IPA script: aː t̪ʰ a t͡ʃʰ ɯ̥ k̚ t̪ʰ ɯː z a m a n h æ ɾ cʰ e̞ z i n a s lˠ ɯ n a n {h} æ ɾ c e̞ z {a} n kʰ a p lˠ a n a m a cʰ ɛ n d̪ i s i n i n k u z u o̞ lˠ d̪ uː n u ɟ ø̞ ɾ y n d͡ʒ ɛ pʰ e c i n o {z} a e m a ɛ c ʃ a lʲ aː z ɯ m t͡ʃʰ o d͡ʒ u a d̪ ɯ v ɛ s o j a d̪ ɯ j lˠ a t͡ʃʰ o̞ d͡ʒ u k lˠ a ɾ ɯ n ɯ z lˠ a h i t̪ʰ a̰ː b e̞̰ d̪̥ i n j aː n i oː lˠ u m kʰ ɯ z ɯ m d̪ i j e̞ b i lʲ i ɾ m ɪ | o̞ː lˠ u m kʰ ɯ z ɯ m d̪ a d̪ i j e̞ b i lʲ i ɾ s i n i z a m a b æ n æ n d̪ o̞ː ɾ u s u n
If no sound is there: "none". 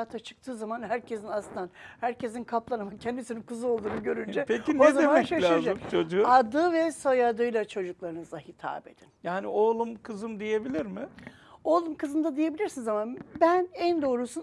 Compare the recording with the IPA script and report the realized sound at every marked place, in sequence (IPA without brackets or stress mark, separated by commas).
h, i, z